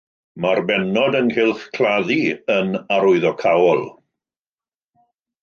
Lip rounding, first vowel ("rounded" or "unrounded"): unrounded